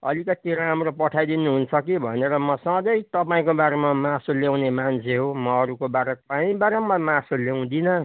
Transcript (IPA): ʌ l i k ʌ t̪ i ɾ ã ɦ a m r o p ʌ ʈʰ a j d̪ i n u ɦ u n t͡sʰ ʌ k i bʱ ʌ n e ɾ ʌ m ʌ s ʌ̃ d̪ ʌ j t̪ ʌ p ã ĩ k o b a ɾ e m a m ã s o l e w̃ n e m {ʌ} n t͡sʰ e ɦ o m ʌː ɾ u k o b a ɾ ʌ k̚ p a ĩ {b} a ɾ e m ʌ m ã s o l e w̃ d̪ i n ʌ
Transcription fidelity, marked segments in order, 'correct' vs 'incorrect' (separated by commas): incorrect, correct